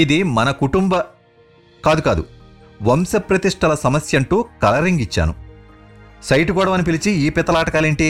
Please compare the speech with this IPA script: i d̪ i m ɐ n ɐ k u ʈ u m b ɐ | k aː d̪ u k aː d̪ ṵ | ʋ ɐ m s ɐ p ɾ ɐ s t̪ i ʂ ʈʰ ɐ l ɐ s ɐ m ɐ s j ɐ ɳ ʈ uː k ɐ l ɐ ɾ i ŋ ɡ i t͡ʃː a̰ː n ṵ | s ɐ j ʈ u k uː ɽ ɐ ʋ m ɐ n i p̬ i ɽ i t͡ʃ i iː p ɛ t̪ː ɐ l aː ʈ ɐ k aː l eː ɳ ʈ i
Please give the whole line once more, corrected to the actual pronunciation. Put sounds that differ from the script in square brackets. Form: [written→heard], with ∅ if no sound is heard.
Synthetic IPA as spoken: i d̪ i m ɐ n ɐ k u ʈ u m b ɐ | k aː d̪ u k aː d̪ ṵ | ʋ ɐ m s ɐ p ɾ ɐ [s→∅] t̪ i ʂ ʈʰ ɐ l ɐ s ɐ m ɐ s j ɐ ɳ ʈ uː k ɐ l ɐ ɾ i ŋ ɡ i t͡ʃː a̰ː n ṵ | s ɐ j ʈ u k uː ɽ ɐ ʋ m ɐ n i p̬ i [ɽ→l] i t͡ʃ i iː p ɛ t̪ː ɐ l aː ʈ ɐ k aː l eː ɳ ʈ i